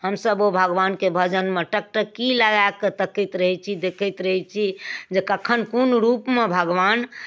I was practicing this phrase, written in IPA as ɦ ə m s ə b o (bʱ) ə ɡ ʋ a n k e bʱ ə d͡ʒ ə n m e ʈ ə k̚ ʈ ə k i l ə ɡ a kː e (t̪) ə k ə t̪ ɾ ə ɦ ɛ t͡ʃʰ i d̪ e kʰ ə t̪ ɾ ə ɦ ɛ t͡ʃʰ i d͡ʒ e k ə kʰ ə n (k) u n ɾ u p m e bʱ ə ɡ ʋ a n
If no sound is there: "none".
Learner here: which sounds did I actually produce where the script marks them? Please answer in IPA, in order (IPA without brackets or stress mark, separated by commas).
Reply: bʱ, t̪, k